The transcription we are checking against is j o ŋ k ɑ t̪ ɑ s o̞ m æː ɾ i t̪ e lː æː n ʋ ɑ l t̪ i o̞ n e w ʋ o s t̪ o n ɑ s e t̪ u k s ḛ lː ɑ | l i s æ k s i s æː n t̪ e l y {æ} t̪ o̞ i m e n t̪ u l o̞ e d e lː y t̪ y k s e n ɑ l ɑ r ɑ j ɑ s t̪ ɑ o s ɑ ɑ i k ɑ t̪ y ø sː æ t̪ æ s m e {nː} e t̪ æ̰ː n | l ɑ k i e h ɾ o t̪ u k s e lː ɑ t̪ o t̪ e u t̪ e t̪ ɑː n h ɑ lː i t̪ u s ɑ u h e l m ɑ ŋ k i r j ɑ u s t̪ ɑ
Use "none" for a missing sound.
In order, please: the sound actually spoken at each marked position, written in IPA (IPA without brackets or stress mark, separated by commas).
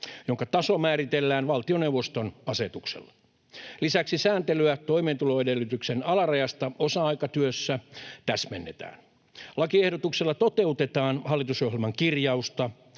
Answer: æ, nː